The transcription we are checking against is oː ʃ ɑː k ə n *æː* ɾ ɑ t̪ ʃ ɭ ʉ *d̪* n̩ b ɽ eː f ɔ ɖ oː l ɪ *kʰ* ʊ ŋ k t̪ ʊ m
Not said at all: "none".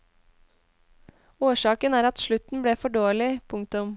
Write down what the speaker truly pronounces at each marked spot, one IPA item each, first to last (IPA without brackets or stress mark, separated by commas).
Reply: æː, t̪, pʰ